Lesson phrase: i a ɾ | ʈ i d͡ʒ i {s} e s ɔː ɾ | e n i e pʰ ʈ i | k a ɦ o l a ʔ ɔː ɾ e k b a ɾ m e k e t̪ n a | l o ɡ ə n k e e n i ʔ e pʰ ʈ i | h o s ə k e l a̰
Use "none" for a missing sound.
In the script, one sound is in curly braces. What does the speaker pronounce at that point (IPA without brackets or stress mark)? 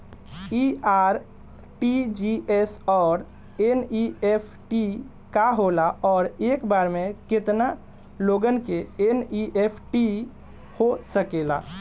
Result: none